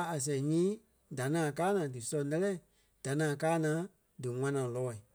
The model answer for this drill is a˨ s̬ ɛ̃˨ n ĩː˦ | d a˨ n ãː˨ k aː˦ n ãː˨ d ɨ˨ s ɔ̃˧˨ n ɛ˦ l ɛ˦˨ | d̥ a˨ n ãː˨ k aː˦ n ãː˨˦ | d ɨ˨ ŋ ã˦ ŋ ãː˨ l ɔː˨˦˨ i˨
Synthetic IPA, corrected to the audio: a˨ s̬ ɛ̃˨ ɲ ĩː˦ | d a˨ n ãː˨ k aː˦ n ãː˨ d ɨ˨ s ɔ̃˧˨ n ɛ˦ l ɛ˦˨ | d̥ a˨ n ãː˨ k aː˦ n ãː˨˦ | d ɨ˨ ŋ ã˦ n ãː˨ l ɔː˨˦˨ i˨

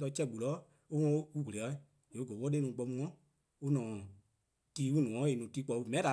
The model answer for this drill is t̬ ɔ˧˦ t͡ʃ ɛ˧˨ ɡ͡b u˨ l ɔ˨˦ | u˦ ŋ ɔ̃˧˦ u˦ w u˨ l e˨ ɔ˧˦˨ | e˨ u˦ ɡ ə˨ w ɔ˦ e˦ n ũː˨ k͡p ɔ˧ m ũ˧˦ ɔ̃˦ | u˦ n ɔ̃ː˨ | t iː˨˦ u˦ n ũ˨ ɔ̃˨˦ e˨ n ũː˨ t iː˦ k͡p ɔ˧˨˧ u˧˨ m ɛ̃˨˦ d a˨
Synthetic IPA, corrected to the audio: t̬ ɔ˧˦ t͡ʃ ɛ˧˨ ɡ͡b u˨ l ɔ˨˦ | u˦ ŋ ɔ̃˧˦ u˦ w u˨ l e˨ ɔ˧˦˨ | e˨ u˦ ɡ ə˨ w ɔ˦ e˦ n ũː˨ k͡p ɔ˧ m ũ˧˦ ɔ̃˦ | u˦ n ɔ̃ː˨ | t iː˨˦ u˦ n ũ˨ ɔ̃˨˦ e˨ n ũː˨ t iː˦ k͡p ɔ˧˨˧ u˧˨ m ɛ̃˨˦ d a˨

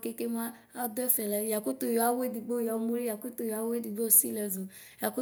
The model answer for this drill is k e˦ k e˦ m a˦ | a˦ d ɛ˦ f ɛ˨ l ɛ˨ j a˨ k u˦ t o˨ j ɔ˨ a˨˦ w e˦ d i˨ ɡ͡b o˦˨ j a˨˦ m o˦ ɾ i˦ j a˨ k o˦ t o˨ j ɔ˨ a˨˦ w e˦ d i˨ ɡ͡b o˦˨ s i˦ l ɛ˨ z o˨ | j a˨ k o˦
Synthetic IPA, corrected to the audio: k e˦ k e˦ m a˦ | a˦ d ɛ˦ f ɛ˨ l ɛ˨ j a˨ k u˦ t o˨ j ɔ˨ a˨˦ w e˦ d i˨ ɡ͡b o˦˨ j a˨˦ m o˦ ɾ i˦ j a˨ k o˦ t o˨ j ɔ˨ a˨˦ w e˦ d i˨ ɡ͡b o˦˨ s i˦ l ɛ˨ z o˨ | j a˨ k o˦

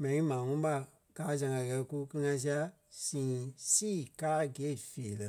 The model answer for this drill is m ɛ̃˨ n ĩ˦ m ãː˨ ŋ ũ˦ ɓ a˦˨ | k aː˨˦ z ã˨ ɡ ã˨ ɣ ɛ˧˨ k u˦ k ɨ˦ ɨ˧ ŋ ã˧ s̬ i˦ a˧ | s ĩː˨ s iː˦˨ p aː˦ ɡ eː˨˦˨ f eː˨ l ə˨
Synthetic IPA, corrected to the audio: m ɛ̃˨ n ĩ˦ m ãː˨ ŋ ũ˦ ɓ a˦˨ | k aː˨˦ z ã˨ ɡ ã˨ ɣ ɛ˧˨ k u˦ k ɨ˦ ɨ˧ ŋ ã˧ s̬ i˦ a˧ | s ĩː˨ s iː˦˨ k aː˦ ɡ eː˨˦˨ f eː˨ l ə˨

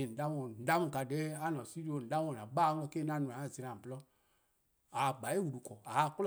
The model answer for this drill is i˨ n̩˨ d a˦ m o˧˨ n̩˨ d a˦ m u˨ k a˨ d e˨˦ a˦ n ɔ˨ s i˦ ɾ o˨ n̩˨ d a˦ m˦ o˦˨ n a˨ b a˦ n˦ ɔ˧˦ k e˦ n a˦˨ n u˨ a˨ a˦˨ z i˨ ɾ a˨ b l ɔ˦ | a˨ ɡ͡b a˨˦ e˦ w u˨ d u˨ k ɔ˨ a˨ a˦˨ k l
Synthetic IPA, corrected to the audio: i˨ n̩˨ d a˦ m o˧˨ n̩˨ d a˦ m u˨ k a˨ d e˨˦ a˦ n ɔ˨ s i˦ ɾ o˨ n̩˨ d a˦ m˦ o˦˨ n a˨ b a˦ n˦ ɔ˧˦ k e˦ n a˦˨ n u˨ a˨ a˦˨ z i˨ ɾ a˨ b l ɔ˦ | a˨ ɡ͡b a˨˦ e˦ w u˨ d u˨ k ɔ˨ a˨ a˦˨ k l

